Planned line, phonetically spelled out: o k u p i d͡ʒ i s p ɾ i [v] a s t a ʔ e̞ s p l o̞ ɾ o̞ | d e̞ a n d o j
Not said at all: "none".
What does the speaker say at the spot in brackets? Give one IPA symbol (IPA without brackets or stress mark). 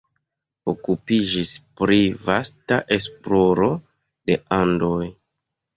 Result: v